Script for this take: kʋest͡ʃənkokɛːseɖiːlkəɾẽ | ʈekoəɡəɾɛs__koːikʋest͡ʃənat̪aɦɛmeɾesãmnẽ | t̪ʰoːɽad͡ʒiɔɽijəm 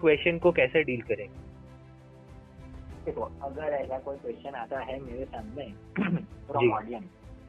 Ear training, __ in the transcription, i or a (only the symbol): a